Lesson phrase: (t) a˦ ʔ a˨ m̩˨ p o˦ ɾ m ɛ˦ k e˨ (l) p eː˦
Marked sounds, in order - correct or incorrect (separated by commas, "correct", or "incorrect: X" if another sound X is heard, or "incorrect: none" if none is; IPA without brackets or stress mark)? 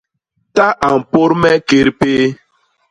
correct, incorrect: ɾ